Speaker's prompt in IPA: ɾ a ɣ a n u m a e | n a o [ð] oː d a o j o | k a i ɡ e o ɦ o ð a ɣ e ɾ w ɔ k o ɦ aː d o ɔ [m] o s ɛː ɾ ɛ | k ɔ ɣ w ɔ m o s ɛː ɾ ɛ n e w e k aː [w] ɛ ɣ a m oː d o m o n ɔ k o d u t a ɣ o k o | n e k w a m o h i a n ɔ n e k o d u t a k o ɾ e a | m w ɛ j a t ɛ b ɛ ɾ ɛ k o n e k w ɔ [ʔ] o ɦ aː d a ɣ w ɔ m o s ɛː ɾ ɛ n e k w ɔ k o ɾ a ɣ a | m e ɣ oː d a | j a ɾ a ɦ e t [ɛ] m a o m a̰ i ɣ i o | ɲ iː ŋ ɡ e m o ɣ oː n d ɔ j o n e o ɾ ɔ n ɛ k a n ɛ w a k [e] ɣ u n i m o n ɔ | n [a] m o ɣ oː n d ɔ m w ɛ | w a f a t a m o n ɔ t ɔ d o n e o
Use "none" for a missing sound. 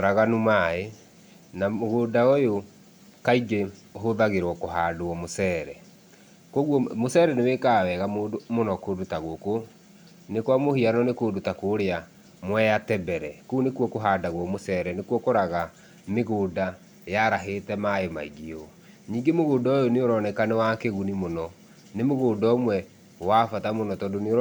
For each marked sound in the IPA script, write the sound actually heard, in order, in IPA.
ɣ, m, w, k, ɛ, e, e

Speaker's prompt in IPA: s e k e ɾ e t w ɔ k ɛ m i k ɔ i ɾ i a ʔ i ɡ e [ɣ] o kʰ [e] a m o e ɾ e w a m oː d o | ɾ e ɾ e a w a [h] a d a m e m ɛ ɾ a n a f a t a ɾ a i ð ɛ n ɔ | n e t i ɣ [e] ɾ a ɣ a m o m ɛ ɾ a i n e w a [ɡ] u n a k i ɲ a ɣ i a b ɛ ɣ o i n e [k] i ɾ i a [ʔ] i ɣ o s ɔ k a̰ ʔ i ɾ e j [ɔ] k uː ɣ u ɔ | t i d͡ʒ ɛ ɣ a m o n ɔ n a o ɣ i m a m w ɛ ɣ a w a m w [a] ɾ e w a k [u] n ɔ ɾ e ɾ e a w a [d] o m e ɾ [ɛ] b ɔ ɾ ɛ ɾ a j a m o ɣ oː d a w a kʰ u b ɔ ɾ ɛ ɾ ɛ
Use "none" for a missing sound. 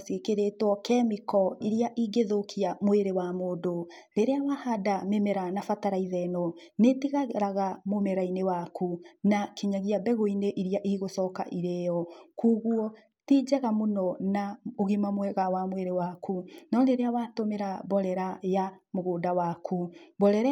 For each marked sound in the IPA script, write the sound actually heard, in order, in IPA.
ð, i, h, a, k, ʔ, ʔ, ɔ, e, u, t, a

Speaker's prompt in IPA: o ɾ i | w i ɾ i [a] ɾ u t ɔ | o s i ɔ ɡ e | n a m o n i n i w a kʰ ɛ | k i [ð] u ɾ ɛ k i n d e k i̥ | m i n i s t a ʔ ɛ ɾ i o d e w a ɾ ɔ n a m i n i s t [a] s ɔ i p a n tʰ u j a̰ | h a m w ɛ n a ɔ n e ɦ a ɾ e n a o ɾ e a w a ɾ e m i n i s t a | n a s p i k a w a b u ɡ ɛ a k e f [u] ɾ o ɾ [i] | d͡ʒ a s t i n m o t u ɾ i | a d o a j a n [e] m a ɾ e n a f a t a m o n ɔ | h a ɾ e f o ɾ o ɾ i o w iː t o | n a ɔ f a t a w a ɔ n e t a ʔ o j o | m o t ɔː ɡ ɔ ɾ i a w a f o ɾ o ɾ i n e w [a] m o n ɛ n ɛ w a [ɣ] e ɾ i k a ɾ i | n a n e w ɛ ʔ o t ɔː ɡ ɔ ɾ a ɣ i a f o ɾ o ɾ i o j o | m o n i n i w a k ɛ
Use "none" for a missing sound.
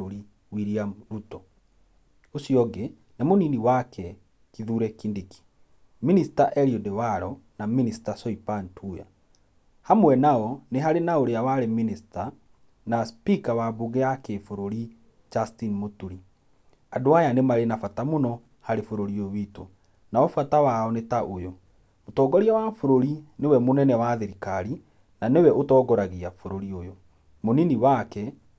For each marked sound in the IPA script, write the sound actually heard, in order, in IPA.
a, ð, a, o, i, e, ɛ, ð

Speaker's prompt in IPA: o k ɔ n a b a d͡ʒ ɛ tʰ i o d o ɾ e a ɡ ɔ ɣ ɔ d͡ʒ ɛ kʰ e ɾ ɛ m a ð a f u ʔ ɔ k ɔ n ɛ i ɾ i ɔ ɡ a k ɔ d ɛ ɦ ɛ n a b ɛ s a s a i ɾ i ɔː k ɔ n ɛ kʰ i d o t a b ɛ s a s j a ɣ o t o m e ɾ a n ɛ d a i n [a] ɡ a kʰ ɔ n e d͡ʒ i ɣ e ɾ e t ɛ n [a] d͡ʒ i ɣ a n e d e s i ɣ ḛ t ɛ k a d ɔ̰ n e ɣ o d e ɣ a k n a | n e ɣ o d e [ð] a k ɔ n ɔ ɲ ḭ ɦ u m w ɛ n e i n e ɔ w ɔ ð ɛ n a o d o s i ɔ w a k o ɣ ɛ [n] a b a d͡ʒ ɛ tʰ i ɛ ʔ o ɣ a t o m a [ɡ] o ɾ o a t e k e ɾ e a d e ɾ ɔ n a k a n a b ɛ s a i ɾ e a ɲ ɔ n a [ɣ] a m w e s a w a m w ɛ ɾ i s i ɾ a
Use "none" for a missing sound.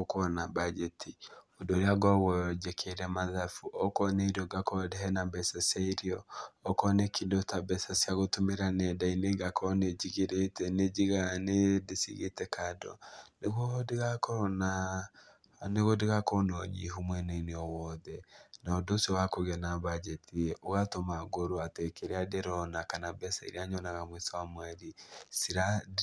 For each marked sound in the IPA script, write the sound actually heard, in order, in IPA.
e, e, ɣ, n, ɡ, ɣ

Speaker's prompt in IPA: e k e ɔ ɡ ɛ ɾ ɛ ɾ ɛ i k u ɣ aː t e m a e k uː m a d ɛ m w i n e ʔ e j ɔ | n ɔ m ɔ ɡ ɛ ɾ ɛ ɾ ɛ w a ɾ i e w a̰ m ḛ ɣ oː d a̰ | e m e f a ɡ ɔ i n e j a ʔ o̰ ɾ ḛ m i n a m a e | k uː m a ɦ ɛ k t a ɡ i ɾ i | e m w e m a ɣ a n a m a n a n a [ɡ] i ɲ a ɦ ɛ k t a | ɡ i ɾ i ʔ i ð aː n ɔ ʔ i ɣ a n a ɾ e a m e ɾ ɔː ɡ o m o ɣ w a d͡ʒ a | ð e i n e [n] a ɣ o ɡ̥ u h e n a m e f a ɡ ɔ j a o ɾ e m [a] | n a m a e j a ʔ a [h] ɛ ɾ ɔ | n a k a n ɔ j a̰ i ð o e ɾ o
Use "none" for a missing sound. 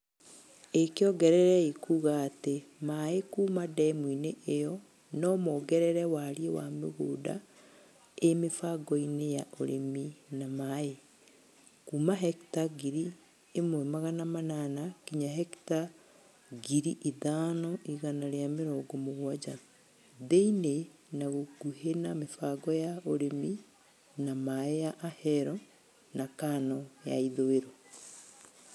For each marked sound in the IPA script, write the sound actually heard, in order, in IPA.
k, n, i, h

